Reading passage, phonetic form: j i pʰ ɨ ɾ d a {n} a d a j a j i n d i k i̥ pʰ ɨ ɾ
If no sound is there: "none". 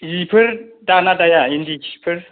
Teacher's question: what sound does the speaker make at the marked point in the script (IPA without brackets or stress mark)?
n